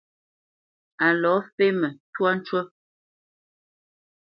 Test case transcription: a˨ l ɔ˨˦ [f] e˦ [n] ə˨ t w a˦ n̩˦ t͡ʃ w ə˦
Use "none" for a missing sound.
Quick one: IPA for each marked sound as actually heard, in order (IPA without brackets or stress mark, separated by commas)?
f, m